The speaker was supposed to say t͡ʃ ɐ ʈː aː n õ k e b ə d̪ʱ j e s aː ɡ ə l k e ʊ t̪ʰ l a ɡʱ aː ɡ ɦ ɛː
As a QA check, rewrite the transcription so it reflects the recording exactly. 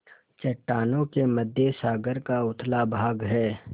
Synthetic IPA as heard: t͡ʃ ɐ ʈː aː n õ k e m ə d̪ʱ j e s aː ɡ ə ɾ k a ʊ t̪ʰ l a bʱ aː ɡ ɦ ɛː